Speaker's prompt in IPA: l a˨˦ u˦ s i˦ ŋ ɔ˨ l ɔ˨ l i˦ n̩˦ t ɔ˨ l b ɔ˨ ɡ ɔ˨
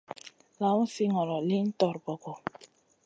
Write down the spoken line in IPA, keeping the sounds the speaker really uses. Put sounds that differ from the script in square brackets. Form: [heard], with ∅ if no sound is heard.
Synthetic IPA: l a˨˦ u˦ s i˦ ŋ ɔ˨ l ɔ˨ l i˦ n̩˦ t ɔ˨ [ɾ] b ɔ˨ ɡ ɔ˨